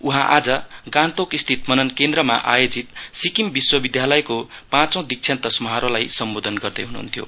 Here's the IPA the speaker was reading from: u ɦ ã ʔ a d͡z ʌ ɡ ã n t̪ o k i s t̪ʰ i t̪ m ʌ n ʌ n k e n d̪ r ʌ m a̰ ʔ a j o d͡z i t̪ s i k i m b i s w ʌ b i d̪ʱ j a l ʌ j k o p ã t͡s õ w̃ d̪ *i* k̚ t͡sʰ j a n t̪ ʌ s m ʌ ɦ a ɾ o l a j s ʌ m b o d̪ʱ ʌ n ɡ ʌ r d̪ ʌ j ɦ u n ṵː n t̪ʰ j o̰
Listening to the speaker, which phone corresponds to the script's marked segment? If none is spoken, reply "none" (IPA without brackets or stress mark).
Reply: i